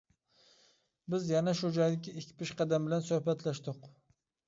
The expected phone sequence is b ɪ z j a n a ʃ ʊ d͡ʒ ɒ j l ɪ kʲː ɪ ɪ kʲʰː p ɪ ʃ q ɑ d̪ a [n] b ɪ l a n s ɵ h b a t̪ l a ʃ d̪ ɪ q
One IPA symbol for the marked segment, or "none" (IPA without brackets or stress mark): m